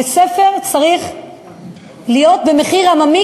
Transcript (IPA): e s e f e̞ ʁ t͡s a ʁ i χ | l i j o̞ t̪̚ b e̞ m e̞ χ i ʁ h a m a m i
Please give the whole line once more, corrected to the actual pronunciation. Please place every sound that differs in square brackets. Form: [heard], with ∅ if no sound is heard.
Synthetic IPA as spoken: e s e f e̞ ʁ t͡s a ʁ i χ | l i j o̞ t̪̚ b e̞ m e̞ χ i ʁ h a m a m i